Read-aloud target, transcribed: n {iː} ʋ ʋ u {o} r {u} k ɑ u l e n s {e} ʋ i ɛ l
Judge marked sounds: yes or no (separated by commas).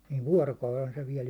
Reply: yes, no, no, yes